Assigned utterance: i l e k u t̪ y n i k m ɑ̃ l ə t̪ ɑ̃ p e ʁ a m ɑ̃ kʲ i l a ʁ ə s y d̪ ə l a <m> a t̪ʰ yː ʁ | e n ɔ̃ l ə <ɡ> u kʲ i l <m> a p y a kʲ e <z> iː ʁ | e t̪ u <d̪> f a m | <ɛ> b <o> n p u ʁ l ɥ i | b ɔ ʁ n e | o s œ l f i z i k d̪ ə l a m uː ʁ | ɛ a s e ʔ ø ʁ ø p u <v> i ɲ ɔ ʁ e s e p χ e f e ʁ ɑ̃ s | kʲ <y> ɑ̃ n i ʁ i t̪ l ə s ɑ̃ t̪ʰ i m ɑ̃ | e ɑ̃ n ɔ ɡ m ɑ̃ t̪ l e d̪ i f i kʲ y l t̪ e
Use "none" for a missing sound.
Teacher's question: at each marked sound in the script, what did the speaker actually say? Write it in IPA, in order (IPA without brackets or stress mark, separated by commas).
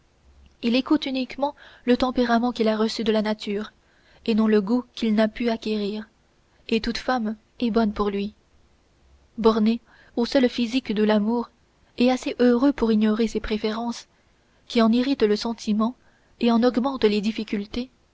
n, ɡ, n, ʁ, t̪, ɛ, ɔ, ʁ, i